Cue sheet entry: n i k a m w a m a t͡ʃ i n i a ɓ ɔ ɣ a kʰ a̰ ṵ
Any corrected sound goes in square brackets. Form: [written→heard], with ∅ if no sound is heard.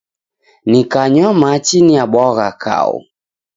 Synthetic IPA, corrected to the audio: n i k a [m→ɲ] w a m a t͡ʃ i n i a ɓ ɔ ɣ a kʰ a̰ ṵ